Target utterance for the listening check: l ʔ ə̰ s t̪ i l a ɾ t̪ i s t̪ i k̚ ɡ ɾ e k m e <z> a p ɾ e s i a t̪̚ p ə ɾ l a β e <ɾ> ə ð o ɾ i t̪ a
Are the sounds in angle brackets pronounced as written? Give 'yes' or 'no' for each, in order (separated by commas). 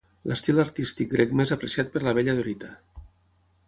yes, no